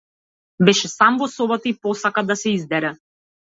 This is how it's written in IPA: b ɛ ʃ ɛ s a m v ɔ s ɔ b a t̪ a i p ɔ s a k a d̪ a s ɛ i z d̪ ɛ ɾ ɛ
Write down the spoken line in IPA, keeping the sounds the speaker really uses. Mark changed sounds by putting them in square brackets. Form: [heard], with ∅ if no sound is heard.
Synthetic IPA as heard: b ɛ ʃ ɛ s a m v ɔ s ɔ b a t̪ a i p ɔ s a k a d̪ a s ɛ i z d̪ ɛ ɾ ɛ